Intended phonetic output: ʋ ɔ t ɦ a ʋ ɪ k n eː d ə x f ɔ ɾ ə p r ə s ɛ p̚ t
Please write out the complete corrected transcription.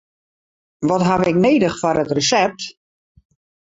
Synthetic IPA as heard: ʋ ɔ t ɦ a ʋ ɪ k n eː d ə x f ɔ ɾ ə t r ə s ɛ p̚ t

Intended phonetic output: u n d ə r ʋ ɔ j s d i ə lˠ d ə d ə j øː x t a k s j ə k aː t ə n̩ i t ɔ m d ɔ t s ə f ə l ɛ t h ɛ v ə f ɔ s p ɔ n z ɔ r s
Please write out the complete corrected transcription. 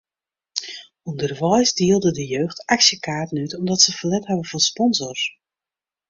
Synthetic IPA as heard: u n d ə r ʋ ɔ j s d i ə lˠ d ə d ə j øː x t a k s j ə k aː t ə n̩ y t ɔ m d ɔ t s ə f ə l ɛ t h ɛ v ə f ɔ s p ɔ n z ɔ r s

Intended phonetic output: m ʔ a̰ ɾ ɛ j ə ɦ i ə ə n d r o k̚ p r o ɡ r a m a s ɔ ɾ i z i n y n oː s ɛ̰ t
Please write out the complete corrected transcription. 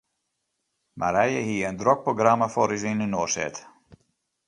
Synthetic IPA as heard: m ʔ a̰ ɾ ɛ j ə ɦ i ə ə n d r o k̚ p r o ɡ r a m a f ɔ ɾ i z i n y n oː s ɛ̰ t

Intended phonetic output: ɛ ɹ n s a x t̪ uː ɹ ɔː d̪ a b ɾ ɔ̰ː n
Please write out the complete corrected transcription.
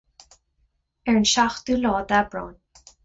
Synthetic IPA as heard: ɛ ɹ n ʃ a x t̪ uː l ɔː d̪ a b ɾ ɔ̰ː n

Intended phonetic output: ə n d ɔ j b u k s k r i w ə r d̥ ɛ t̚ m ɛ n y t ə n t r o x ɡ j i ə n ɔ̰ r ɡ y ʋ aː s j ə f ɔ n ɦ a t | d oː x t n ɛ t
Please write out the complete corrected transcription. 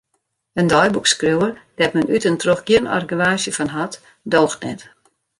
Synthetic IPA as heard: ə n d ɔ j b u k s k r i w ə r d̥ ɛ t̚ m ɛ n y t ə n t r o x ɡ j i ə n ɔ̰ r ɡ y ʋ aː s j ə f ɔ n ɦ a t | d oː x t n ɛ t

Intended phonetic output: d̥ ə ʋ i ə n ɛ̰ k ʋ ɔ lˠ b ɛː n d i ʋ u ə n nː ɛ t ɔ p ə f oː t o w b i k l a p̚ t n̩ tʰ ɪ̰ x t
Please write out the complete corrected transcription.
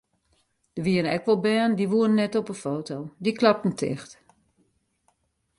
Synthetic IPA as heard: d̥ ə ʋ i ə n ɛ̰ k ʋ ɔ lˠ b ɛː n d i ʋ u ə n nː ɛ t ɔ p ə f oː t o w d i k l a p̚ t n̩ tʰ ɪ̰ x t

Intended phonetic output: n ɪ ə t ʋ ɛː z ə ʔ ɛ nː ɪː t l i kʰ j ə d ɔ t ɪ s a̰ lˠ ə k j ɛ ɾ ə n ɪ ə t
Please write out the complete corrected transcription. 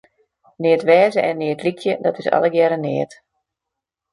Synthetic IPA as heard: n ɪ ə t ʋ ɛː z ə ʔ ɛ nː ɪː t l i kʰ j ə d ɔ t ɪ s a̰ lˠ ə ɡ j ɛ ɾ ə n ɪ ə t

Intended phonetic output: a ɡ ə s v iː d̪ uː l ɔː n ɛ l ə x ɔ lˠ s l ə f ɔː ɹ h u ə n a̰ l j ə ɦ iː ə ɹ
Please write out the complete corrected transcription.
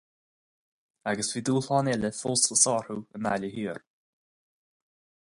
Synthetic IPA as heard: a ɡ ə s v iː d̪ uː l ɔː n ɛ l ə f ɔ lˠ s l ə s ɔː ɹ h u ə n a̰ l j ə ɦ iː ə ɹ

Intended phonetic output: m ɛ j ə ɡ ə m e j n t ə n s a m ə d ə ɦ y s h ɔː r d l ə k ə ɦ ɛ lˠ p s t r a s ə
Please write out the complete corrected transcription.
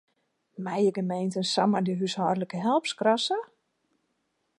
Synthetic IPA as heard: m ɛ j ə ɡ ə m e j n t ə n s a m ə d ə ɦ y s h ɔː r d l ə k ə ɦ ɛ lˠ p s k r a s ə

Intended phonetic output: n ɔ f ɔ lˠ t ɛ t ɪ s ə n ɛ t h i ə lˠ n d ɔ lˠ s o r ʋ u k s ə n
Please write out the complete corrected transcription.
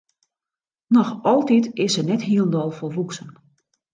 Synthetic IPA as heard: n ɔ x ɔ lˠ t i t ɪ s ə n ɛ t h i ə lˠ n d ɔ lˠ f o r ʋ u k s ə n

